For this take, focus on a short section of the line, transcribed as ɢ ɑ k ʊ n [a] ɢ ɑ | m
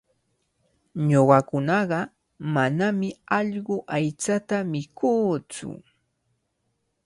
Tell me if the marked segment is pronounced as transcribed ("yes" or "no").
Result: no